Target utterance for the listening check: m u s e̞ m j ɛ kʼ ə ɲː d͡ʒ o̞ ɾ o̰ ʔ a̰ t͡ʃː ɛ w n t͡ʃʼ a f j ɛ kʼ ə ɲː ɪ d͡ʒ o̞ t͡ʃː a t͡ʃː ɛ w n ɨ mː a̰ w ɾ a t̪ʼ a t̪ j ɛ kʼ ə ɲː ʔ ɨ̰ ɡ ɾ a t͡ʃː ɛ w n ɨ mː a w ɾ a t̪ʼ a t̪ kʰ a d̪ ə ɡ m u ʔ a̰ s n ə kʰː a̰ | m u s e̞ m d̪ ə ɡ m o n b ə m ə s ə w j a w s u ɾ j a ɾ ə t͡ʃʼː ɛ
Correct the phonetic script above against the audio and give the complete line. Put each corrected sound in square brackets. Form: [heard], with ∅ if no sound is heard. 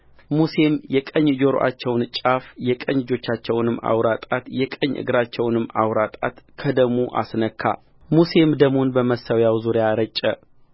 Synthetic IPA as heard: m u s e̞ m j ɛ kʼ ə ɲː d͡ʒ o̞ ɾ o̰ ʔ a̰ t͡ʃː ɛ w n t͡ʃʼ a f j ɛ kʼ ə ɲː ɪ d͡ʒ o̞ t͡ʃː a t͡ʃː ɛ w n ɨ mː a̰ w ɾ a t̪ʼ a t̪ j ɛ kʼ ə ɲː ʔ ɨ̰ ɡ ɾ a t͡ʃː ɛ w n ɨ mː a w ɾ a t̪ʼ a t̪ kʰ [ə] d̪ ə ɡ m u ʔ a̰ s n ə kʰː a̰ | m u s e̞ m d̪ ə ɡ m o n b ə m ə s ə w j a w [z] u ɾ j a ɾ ə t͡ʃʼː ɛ

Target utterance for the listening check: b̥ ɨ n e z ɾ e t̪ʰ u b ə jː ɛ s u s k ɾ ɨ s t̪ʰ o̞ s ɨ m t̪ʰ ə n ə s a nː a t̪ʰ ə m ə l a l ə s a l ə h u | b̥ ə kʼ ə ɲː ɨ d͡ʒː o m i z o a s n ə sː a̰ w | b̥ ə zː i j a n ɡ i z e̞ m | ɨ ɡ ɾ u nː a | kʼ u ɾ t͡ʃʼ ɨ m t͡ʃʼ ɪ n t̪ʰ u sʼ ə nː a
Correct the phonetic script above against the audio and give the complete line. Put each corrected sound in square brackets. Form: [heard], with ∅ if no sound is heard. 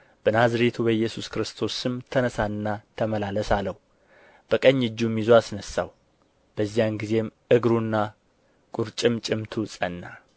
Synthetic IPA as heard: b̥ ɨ n [a] z ɾ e t̪ʰ u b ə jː ɛ s u s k ɾ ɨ s t̪ʰ o̞ s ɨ m t̪ʰ ə n ə s a nː a t̪ʰ ə m ə l a l ə s a l ə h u | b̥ ə kʼ ə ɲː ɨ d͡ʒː [u] m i z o a s n ə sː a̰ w | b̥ ə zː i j a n ɡ i z e̞ m | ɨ ɡ ɾ u nː a | kʼ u ɾ t͡ʃʼ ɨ m t͡ʃʼ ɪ [m] t̪ʰ u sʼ ə nː a

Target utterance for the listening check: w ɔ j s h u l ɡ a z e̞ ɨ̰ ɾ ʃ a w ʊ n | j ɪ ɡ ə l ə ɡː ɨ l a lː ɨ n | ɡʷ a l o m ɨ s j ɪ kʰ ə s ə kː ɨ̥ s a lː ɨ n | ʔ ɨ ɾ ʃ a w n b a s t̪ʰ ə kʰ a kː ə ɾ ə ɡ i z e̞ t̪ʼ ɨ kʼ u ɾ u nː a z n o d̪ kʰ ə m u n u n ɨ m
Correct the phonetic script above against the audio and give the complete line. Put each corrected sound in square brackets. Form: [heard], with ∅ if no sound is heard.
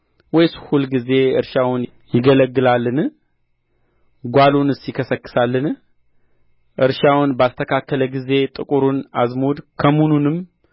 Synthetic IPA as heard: w ɔ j s h u l ɡ [i] z e̞ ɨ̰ ɾ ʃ a w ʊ n | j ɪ ɡ ə l ə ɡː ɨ l a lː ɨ n | ɡʷ a l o [n] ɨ s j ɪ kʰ ə s ə kː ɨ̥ s a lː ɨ n | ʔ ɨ ɾ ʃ a w n b a s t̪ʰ ə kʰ a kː ə [l] ə ɡ i z e̞ t̪ʼ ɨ kʼ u ɾ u [n] a z [m] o d̪ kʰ ə m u n u n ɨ m

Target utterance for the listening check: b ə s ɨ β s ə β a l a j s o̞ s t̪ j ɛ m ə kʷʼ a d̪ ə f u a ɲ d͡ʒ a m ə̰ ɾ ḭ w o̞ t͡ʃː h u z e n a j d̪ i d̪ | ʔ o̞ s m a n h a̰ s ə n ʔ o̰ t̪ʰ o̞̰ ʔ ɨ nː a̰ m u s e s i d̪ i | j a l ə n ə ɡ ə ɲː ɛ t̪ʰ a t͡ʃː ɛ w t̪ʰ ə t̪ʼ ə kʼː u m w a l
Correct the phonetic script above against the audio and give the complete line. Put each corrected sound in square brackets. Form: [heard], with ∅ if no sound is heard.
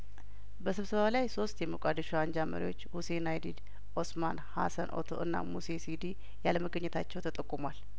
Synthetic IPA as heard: b ə s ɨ β s ə β a l a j s o̞ s t̪ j ɛ m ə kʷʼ a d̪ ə [ʃ] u a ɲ d͡ʒ a m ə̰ ɾ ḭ w o̞ t͡ʃː h u [s] e n a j d̪ i d̪ | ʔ o̞ s m a n h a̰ s ə n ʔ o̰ t̪ʰ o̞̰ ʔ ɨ nː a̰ m u s e s i d̪ i | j a l ə [m] ə ɡ ə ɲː ɛ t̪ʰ a t͡ʃː ɛ w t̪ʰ ə t̪ʼ ə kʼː u m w a l

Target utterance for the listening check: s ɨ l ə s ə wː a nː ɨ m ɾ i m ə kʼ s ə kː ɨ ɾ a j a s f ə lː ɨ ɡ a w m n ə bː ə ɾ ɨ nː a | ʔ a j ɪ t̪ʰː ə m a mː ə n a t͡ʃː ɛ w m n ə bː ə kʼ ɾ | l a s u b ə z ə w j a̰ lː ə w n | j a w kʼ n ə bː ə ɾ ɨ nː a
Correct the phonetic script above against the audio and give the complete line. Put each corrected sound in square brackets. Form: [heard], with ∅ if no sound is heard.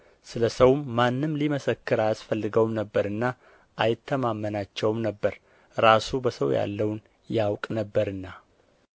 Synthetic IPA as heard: s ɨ l ə s ə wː a nː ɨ m [l] i m ə [∅] s ə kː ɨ ɾ a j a s f ə lː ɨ ɡ [ə] w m n ə bː ə ɾ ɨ nː a | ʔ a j ɪ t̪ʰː ə m a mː ə n a t͡ʃː ɛ w m n ə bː ə [∅] ɾ | [ɾ] a s u b ə [s] ə w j a̰ lː ə w n | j a w kʼ n ə bː ə ɾ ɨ nː a

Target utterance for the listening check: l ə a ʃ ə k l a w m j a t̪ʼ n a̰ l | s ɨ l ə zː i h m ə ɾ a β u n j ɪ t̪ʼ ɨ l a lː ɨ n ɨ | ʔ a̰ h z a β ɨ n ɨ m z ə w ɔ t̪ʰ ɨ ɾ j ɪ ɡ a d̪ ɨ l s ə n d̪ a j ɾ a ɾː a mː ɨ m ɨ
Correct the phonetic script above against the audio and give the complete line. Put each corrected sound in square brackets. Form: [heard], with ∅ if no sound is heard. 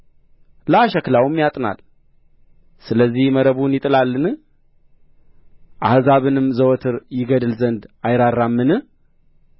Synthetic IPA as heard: l ə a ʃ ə k l a w m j a t̪ʼ n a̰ l | s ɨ l ə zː i h m ə ɾ [ə] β u n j ɪ t̪ʼ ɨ l a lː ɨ n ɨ | ʔ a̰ h z a β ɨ n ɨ m z ə w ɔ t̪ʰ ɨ ɾ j ɪ ɡ [ə] d̪ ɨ l [z] ə n d̪ a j ɾ a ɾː a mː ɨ [n] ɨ

